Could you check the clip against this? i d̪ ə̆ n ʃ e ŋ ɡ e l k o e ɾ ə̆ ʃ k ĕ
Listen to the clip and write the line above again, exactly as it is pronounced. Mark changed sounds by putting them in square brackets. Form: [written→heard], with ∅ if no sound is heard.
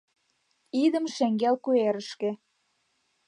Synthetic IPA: i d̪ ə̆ [n→m] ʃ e ŋ ɡ e l k [o→u] e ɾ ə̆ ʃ k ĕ